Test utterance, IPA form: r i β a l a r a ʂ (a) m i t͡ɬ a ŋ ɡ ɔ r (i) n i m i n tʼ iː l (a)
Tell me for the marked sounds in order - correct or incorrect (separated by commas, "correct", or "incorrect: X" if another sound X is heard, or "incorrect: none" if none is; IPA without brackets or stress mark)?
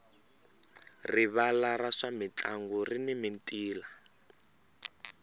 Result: correct, correct, correct